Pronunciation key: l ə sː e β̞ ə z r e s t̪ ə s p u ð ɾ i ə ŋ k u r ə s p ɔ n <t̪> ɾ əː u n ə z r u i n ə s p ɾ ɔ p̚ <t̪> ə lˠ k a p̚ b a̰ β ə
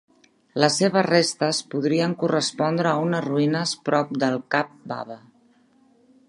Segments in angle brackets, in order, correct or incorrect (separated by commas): incorrect, incorrect